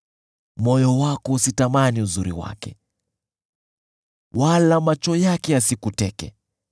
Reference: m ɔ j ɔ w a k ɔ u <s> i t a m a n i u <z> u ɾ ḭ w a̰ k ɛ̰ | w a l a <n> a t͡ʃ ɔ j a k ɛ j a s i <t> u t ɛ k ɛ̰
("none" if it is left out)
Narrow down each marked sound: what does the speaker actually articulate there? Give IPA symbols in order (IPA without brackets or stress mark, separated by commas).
s, z, m, k